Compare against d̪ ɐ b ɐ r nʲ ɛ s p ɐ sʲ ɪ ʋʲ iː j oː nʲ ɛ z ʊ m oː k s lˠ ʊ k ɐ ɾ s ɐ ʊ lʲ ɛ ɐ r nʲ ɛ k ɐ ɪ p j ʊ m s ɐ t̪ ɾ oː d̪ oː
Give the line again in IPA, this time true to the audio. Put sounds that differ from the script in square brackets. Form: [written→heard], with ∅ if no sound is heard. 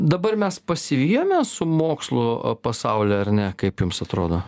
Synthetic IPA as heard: d̪ ɐ b ɐ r [nʲ→mʲ] ɛ s p ɐ sʲ ɪ ʋʲ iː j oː [nʲ→mʲ] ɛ [z→s] ʊ m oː k s lˠ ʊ [k→p] ɐ [ɾ→∅] s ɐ ʊ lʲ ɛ ɐ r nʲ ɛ k ɐ ɪ p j ʊ m s ɐ t̪ ɾ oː d̪ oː